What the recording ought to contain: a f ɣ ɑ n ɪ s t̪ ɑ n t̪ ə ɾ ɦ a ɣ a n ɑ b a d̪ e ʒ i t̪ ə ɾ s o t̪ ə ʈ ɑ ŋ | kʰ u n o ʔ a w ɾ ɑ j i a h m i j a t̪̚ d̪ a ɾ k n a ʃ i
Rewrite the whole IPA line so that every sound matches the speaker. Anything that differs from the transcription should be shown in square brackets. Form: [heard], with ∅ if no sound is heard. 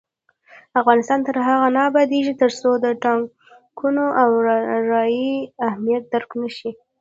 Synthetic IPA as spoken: a f ɣ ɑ n ɪ s t̪ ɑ n t̪ ə ɾ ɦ a ɣ a n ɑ b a d̪ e ʒ i t̪ ə ɾ s o [d̪] ə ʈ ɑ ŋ | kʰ u n o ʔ a w ɾ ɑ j i a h m i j a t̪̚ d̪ a ɾ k n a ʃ i